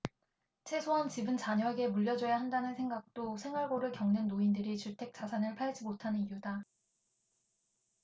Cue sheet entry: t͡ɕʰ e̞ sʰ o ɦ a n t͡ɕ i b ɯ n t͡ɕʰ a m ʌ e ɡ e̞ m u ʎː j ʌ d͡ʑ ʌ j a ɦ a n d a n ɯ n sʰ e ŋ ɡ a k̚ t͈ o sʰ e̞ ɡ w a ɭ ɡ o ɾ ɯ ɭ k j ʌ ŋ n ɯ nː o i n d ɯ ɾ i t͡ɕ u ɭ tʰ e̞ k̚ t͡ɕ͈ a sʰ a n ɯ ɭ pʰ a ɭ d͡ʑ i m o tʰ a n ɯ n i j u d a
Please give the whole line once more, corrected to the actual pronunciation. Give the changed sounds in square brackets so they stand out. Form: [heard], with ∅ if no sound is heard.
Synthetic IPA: t͡ɕʰ e̞ sʰ o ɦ a n t͡ɕ i b ɯ n [t͡ɕ] a [ɲ] ʌ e ɡ e̞ m u ʎː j ʌ d͡ʑ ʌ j a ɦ a n d a n ɯ n sʰ e ŋ ɡ a k̚ t͈ o sʰ e̞ [ŋ] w a ɭ ɡ o ɾ ɯ ɭ k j ʌ ŋ n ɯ nː o i n d ɯ ɾ i t͡ɕ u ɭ tʰ e̞ k̚ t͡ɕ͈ a sʰ a n ɯ ɭ pʰ a ɭ d͡ʑ i m o tʰ a n ɯ n i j u d a